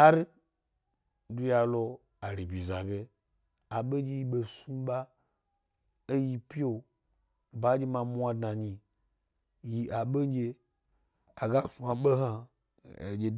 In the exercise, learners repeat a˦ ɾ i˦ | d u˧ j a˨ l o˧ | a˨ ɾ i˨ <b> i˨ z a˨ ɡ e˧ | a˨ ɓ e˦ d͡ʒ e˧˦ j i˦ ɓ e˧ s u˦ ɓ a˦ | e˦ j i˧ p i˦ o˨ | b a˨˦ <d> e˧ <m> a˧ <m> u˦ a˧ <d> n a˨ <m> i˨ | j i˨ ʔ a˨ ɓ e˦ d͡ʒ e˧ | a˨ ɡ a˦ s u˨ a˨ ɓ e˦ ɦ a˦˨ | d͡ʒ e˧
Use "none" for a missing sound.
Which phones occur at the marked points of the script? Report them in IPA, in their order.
b, d͡ʒ, m, m, d, ɲ

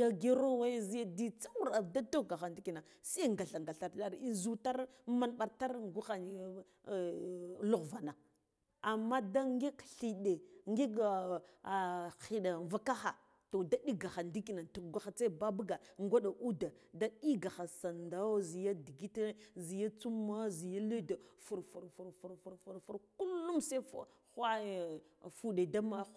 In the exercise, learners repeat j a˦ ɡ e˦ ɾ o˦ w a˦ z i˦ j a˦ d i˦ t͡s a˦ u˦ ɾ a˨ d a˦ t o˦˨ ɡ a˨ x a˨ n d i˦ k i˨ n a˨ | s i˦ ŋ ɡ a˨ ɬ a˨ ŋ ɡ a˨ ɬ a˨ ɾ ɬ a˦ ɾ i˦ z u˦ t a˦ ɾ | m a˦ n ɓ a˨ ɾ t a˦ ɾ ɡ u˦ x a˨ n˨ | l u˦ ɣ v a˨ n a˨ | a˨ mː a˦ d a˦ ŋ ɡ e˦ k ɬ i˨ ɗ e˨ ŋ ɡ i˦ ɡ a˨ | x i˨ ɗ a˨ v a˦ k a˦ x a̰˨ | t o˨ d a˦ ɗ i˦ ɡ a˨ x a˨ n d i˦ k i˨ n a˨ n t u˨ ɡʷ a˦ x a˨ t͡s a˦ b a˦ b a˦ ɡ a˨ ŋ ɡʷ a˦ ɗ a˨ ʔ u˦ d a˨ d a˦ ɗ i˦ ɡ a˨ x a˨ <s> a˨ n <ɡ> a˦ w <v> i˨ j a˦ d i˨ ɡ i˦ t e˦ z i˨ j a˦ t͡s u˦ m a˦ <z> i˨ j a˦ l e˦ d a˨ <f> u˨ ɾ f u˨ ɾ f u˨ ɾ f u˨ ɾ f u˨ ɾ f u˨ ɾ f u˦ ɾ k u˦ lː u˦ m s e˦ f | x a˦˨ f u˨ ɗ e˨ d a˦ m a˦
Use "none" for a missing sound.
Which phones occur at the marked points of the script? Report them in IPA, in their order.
s, d, z, z, f

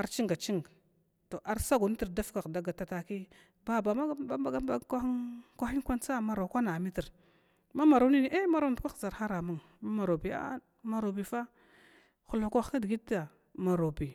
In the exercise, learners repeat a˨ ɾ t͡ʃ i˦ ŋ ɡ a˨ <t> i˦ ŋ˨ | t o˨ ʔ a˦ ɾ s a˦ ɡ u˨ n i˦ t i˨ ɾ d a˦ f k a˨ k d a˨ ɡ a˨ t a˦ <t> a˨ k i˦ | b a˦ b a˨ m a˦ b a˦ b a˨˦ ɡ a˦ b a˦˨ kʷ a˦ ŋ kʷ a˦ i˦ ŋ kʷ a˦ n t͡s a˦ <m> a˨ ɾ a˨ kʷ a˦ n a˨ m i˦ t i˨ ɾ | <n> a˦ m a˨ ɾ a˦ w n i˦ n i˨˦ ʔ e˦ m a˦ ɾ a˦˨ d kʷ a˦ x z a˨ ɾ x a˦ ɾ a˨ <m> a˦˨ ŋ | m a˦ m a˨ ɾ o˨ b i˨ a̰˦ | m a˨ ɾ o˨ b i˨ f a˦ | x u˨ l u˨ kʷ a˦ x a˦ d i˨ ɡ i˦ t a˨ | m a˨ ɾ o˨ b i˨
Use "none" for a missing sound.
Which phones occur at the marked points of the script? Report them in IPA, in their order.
t͡ʃ, t, m, m, m

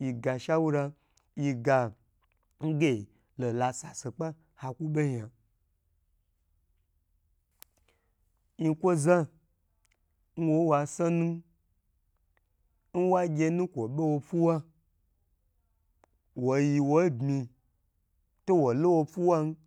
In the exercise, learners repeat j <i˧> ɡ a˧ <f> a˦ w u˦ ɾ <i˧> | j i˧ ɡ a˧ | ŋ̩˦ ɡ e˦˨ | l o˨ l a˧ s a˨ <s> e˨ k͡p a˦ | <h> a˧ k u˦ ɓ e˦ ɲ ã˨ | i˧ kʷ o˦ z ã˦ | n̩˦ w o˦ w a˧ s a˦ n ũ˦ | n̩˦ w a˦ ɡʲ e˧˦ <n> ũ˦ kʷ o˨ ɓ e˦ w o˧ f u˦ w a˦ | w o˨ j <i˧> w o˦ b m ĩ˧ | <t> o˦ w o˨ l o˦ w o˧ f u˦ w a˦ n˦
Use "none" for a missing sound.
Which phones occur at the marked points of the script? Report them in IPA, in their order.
i˧, ʃ, a˧, s, h, n, i˧, t

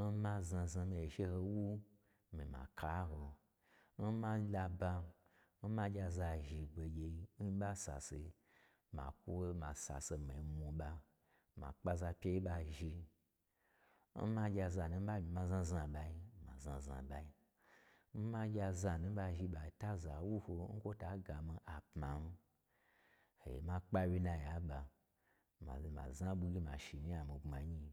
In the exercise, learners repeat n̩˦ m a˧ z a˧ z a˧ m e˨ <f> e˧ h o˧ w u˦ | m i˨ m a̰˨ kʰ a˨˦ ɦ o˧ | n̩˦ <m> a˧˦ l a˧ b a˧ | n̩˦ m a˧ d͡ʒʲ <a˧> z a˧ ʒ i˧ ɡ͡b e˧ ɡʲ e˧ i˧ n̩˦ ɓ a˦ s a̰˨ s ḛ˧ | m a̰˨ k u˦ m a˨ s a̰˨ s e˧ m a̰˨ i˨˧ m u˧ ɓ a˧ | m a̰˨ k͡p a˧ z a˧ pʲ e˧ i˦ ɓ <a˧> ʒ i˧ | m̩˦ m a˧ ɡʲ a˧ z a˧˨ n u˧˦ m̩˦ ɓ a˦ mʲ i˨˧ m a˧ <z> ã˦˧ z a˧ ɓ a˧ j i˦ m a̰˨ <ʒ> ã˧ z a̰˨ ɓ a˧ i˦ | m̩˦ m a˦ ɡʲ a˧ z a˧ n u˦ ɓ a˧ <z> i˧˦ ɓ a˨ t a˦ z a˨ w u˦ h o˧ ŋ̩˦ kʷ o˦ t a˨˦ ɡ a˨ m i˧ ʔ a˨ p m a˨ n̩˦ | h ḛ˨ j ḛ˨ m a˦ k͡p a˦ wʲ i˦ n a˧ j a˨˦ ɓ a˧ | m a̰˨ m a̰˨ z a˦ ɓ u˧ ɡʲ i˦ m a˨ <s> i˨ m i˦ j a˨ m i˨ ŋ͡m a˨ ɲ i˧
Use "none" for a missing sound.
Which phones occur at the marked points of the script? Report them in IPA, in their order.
ʃ, m, a˧, a˧, z, z, ʒ, ʃ

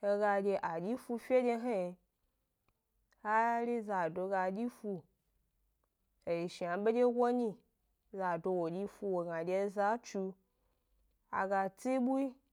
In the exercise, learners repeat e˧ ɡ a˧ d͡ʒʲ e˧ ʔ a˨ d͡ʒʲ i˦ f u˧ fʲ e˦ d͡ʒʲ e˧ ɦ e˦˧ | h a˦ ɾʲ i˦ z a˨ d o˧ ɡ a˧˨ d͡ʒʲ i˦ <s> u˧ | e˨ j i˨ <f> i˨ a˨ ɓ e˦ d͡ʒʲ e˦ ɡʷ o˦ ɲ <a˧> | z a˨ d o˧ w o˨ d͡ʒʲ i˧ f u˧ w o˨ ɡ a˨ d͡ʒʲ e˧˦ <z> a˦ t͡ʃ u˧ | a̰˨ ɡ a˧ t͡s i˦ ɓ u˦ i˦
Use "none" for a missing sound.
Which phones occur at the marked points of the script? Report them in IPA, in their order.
f, ʃ, i˧, z

